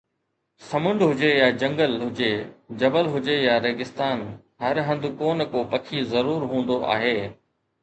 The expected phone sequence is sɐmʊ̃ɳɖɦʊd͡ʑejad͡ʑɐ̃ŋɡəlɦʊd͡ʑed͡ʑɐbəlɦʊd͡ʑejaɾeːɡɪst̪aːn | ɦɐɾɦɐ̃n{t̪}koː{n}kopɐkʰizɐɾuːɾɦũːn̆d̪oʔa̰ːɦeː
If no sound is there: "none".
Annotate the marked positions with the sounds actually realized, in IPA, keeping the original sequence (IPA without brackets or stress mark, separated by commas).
d̪, n